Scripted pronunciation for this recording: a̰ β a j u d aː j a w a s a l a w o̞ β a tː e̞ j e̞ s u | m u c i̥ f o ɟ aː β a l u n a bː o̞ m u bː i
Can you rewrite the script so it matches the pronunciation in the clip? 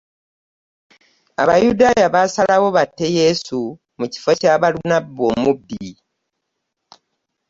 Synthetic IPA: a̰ β a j u d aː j a β a s a l a w o̞ β a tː e̞ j e̞ s u | m u c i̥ f o c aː β a l u n a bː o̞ m u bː i